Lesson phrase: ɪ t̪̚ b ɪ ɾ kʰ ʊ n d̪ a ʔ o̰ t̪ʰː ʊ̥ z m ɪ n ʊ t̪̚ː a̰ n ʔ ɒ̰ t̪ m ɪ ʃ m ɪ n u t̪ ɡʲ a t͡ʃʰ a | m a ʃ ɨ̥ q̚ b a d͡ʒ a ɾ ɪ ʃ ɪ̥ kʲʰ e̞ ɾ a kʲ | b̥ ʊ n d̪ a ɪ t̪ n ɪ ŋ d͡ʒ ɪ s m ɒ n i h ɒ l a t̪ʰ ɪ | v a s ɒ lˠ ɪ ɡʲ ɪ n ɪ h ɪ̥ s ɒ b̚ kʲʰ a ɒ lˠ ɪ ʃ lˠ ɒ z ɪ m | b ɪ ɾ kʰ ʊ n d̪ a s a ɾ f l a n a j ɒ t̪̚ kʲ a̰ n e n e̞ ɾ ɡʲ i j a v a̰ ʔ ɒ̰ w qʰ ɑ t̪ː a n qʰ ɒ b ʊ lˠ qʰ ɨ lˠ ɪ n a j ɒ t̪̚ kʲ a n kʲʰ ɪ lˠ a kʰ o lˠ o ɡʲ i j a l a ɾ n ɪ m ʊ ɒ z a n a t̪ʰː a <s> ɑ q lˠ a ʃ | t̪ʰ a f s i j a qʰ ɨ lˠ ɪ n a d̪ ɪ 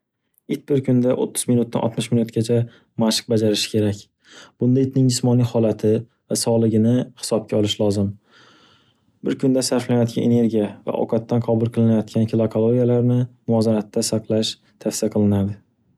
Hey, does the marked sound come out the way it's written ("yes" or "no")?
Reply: yes